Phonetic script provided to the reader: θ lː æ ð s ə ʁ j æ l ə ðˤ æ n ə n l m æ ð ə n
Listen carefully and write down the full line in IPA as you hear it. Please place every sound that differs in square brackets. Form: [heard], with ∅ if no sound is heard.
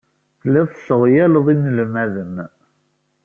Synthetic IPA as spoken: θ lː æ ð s ə ʁ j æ l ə ðˤ [i] n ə [∅] l m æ ð ə n